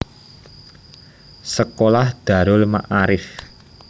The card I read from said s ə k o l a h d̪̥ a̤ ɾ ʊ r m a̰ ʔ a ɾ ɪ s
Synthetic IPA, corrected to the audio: s ə k o l a h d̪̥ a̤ ɾ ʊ l m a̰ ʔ a ɾ ɪ f

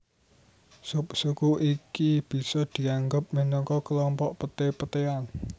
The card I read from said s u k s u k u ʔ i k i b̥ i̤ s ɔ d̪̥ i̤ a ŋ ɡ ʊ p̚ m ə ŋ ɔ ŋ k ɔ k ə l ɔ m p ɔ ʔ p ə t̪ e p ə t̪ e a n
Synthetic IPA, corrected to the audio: s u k s u k u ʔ i k i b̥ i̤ s ɔ d̪̥ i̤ a ŋ ɡ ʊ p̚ m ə n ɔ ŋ k ɔ k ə l ɔ m p ɔ ʔ p ə t̪ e p ə t̪ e a n

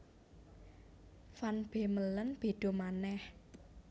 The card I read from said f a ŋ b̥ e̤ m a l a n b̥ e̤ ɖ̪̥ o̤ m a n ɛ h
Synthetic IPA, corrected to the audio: f a n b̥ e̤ m ə l ə n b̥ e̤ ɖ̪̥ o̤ m a n ɛ h

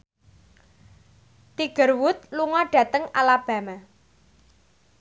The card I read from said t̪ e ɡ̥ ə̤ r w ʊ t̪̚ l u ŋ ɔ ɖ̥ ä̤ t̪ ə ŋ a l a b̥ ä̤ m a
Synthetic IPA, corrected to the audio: t̪ i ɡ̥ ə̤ r w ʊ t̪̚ l u ŋ ɔ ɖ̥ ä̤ t̪ ə ŋ a l a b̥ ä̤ m a

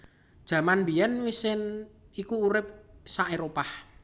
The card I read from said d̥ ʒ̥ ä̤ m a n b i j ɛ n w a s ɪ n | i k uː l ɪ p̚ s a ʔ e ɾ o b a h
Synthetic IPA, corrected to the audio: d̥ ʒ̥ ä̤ m a n b i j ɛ n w i s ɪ n | i k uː ɾ ɪ p̚ s a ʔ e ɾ o p a h

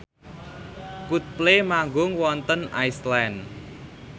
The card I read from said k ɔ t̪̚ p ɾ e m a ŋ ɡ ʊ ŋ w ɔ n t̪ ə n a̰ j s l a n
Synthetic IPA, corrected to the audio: k u t̪̚ p l e m a ŋ ɡ ʊ ŋ w ɔ n t̪ ə n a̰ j s l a n

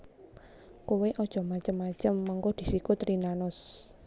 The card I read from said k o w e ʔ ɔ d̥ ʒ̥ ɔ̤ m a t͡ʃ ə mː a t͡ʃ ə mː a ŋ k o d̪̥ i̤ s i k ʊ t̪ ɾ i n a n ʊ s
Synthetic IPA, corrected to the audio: k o w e ʔ ɔ d̥ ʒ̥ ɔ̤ m a t͡ʃ ə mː a t͡ʃ ə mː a ŋ k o d̪̥ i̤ s i k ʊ t̪ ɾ i n a n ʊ s

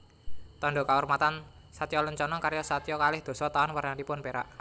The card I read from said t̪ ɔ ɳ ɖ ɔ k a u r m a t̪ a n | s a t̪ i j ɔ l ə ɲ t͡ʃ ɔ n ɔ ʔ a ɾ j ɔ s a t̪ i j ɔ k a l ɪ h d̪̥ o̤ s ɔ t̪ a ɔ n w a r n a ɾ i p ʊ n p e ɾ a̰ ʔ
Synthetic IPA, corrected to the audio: t̪ ɔ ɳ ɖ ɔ k a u r m a t̪ a n | s a t̪ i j ɔ l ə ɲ t͡ʃ ɔ n ɔ k a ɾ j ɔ s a t̪ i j ɔ k a l ɪ h d̪̥ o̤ s ɔ t̪ a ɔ n w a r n a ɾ i p ʊ n p e ɾ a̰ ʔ

